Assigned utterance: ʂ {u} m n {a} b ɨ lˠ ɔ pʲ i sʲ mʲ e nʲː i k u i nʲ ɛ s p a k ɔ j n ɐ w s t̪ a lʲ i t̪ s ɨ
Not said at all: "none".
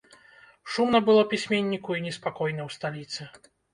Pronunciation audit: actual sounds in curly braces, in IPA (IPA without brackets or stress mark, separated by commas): u, ɐ